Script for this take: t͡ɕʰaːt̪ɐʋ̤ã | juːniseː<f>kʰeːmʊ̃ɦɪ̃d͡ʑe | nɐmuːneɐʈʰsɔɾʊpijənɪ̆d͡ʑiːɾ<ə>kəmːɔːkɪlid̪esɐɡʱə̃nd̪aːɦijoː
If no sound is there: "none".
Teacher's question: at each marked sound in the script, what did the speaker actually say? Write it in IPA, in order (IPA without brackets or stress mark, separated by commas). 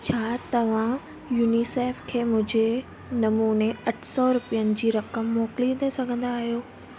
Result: f, ɐ